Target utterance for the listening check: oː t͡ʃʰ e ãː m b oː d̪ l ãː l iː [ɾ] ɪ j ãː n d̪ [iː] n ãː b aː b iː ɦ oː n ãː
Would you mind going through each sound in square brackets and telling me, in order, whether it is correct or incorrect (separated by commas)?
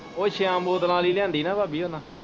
incorrect, correct